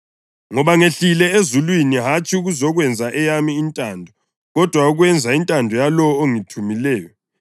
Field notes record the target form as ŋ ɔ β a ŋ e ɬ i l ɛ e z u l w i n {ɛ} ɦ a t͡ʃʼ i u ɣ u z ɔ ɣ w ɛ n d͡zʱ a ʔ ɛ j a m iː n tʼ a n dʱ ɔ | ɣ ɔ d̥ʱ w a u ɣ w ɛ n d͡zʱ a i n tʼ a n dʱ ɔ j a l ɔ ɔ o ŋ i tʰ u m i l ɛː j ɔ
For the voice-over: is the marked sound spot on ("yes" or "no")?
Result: no